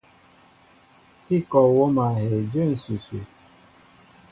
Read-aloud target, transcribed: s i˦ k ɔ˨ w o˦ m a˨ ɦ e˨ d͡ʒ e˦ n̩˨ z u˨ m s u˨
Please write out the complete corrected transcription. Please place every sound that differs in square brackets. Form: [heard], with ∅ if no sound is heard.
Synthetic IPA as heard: s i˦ k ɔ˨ w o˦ m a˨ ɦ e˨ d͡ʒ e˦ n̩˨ [s] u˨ [∅] s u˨